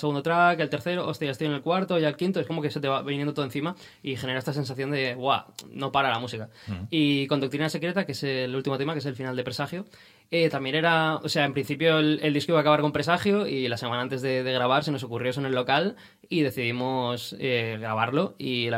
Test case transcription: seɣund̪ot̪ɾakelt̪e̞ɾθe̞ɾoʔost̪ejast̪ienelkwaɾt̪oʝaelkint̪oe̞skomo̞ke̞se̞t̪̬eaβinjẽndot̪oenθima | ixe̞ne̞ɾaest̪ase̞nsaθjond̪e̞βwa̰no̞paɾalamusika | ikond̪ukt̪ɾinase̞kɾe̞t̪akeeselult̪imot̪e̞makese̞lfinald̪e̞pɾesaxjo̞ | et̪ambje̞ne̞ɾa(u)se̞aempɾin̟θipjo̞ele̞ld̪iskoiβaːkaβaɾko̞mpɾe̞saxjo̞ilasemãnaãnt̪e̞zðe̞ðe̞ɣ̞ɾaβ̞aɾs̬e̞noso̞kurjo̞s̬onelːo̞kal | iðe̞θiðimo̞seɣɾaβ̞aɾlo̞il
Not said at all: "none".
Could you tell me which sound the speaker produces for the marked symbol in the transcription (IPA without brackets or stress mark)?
o